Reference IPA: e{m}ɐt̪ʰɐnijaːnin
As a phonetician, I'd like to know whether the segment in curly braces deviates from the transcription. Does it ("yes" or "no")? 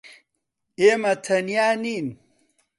no